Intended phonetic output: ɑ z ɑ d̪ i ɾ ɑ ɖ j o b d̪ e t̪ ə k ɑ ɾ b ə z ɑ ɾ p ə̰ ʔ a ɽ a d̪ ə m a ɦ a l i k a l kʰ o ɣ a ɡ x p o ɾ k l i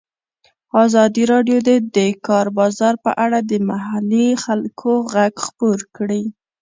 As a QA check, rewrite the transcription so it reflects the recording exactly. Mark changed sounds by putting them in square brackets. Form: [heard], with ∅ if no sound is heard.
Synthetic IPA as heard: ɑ z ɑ d̪ i ɾ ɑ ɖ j o [∅] d̪ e [d̪] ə k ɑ ɾ b [ɑ] z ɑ ɾ p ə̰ ʔ a ɽ a d̪ ə m a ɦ a l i [x] a l kʰ o ɣ a ɡ x p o ɾ k [ɽ] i